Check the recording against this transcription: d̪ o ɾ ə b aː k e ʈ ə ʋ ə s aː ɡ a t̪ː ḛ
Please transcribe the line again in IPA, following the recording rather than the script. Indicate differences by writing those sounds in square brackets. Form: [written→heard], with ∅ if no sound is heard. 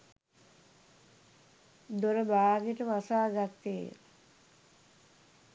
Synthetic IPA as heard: d̪ o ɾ ə b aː [k→ɡ] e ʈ ə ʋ [ə→a] s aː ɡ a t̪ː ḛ